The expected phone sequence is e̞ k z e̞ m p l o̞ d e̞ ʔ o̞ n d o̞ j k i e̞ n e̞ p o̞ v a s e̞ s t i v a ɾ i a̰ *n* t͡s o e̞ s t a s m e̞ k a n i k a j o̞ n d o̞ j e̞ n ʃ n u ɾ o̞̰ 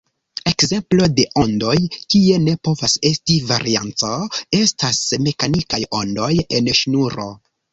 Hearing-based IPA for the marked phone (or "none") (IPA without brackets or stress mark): n